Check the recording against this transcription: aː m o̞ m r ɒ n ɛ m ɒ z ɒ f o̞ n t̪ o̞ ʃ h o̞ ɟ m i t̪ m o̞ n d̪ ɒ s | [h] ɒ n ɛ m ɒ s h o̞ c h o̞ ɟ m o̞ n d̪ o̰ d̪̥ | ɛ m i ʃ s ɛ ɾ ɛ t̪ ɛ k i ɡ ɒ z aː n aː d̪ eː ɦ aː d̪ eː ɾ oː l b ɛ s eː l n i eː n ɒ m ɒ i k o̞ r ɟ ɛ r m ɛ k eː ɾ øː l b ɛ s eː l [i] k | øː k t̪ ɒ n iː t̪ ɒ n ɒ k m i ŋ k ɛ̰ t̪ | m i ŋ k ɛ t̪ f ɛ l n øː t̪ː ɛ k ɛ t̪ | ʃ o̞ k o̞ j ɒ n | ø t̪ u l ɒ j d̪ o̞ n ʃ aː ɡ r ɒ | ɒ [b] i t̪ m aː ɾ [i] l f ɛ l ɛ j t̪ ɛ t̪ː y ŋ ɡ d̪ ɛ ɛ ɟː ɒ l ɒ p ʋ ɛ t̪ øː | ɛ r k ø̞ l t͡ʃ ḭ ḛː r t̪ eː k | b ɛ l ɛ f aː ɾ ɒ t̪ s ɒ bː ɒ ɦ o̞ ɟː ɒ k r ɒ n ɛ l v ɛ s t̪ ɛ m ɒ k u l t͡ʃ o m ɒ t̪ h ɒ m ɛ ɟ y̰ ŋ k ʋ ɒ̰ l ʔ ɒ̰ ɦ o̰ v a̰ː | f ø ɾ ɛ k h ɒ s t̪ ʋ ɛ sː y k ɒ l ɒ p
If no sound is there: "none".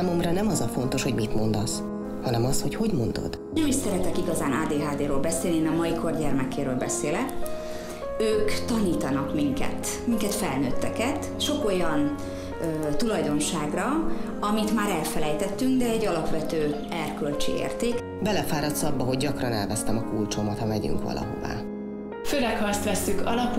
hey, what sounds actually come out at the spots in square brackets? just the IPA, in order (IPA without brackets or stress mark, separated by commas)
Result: h, ɛ, m, ɛ